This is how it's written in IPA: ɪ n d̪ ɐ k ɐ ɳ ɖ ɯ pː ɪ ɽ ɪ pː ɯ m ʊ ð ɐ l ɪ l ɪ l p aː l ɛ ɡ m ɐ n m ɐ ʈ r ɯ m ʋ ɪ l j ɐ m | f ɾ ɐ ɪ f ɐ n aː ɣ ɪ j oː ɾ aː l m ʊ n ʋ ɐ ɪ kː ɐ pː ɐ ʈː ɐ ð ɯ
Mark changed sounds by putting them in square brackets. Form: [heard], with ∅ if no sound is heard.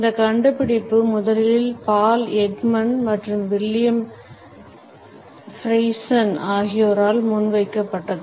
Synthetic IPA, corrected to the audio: ɪ n d̪ ɐ k ɐ ɳ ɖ ɯ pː ɪ ɽ ɪ pː ɯ m ʊ ð ɐ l ɪ l ɪ l p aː l ɛ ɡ m ɐ n m ɐ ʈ r ɯ m ʋ ɪ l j ɐ m | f ɾ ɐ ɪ [s] ɐ n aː ɣ ɪ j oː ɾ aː l m ʊ n ʋ ɐ ɪ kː ɐ pː ɐ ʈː ɐ ð ɯ